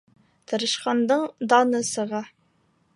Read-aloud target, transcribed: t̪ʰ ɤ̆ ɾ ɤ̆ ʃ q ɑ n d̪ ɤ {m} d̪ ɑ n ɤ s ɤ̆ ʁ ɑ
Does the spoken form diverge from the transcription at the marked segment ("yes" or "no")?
yes